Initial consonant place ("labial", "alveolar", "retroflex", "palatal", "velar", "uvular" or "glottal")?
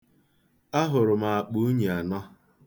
glottal